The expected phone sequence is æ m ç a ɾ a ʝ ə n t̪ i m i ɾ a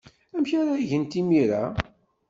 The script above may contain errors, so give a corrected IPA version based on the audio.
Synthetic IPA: æ m ç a ɾ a ʝ ə n t̪ i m i ɾ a